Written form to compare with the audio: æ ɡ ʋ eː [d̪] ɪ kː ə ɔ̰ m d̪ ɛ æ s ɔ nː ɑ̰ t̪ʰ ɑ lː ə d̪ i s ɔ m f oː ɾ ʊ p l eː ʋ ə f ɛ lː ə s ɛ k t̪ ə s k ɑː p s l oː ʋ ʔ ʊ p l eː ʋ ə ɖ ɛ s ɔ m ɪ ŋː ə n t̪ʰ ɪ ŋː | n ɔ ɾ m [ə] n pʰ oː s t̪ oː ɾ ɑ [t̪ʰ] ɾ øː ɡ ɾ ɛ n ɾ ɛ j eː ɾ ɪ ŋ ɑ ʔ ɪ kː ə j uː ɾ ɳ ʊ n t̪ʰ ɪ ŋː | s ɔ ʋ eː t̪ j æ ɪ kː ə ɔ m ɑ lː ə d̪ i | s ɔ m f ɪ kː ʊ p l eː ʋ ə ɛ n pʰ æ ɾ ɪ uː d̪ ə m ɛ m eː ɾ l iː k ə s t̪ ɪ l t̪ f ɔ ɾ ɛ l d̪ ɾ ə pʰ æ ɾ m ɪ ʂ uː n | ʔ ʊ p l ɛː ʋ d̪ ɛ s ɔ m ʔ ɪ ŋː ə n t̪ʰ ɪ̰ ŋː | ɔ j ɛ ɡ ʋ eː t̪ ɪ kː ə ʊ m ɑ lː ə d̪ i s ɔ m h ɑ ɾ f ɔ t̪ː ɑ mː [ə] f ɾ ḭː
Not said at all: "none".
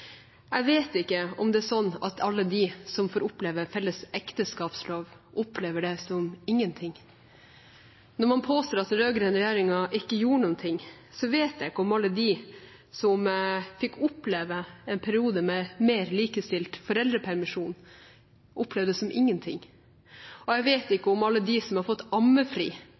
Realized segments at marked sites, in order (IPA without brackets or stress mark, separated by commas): t̪, ɑ, t̪, ə